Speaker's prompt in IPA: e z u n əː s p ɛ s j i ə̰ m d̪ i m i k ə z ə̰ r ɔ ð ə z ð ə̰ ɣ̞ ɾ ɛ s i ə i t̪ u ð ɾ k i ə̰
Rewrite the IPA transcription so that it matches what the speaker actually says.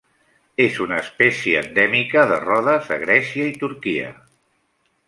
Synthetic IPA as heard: e z u n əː s p ɛ s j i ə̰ n d̪ ɛ m i k ə ð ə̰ r ɔ ð ə z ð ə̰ ɣ̞ ɾ ɛ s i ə i t̪ u ɾ k i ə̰